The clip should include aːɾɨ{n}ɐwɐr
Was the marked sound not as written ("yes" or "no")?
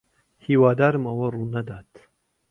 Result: yes